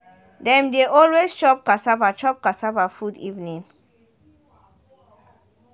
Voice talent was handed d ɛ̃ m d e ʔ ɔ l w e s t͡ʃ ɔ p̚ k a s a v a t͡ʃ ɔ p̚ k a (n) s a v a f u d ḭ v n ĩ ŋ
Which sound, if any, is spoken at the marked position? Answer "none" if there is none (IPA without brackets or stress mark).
none